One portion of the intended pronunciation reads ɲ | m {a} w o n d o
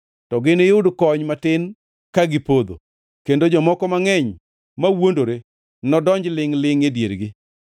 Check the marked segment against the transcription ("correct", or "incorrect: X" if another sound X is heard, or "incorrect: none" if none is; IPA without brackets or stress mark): correct